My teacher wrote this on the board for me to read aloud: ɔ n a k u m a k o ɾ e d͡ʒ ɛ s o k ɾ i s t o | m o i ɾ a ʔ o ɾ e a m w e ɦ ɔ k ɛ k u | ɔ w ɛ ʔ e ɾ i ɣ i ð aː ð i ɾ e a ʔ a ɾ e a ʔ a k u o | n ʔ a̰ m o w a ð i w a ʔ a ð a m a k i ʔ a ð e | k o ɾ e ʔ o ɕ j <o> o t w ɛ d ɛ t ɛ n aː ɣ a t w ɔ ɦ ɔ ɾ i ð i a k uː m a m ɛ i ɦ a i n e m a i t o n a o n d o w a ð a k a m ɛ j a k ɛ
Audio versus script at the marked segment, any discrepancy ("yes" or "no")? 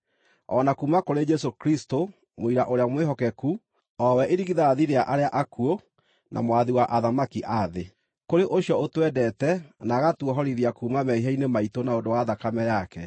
yes